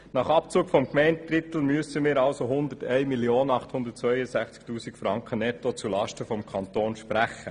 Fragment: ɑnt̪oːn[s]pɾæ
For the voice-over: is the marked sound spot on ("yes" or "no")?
no